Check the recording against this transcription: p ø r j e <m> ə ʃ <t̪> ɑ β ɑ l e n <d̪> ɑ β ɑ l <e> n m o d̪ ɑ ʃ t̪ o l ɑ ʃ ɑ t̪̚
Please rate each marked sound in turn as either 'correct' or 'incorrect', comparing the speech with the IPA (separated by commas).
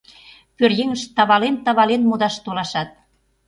incorrect, correct, incorrect, correct